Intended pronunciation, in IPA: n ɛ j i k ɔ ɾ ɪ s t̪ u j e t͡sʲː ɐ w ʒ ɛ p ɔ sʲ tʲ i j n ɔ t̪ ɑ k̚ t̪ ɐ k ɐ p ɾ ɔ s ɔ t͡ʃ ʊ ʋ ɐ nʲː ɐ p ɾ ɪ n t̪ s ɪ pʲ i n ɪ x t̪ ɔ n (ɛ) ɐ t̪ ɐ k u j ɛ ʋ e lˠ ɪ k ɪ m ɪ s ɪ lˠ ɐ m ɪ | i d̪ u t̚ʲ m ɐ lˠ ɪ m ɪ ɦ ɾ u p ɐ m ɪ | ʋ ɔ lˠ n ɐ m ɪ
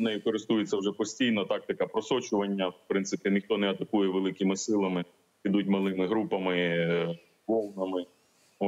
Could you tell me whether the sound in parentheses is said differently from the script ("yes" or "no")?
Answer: no